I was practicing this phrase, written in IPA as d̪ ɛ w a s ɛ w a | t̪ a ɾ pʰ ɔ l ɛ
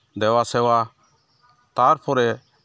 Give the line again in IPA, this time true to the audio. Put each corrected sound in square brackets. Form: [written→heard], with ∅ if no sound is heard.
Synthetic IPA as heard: d̪ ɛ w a s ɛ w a | t̪ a ɾ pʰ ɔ [l→ɾ] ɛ